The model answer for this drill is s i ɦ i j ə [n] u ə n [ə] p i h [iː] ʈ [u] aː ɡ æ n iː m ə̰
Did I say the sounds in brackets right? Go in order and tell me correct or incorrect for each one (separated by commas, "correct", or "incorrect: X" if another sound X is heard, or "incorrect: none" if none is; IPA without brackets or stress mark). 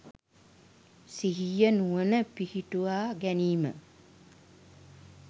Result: correct, correct, incorrect: i, correct